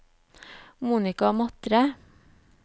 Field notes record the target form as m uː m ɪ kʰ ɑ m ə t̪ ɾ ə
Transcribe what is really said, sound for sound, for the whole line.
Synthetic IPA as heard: m uː n ɪ k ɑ m ɑ t̪ ɾ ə